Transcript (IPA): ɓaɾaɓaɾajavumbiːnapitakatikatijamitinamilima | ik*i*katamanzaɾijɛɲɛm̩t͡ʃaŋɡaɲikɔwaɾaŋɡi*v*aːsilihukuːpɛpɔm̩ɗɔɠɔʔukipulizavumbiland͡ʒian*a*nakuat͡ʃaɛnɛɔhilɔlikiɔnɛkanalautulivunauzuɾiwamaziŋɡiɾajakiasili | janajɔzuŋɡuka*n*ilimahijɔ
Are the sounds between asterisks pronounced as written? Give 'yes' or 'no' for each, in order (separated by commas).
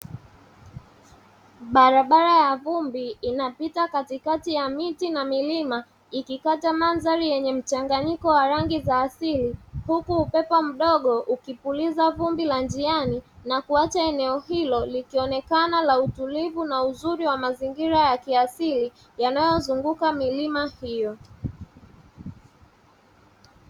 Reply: yes, no, no, no